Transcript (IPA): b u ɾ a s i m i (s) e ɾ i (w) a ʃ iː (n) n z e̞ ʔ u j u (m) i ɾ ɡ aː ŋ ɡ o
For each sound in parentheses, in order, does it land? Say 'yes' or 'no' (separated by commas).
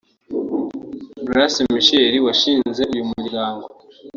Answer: no, yes, yes, yes